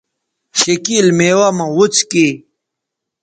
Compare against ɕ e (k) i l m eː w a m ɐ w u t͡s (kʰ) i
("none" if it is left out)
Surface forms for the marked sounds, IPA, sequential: k, k

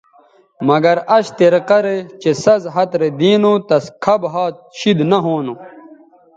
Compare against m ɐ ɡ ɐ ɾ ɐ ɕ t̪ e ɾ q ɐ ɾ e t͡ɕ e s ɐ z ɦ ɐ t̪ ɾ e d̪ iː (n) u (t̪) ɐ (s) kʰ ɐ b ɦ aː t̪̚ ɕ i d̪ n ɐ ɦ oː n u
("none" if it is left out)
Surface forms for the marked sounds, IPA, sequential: n, t̪, s

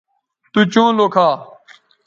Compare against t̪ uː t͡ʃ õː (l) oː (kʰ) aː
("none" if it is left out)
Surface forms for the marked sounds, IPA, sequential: l, kʰ

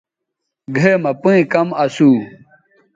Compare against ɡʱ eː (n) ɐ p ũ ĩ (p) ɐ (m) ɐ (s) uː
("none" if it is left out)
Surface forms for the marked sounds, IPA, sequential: m, k, m, s

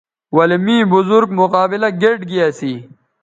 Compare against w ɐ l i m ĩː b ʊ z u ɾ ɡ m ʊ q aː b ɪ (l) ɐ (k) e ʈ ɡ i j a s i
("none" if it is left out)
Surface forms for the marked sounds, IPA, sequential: l, ɡ

